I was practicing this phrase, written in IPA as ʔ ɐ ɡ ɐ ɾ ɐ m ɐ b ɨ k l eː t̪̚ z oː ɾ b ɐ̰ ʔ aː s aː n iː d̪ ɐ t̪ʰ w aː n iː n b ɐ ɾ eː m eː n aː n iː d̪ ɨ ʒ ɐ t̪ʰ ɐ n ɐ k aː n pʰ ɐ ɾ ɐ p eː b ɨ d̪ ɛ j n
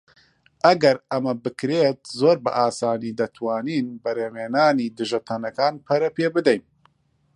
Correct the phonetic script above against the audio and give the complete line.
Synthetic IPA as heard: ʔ ɐ ɡ ɐ ɾ ɐ m ɐ b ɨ k ɾ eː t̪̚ z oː ɾ b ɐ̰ ʔ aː s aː n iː d̪ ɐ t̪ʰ w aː n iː n b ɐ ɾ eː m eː n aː n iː d̪ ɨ ʒ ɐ t̪ʰ ɐ n ɐ k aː n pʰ ɐ ɾ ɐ p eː b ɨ d̪ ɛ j n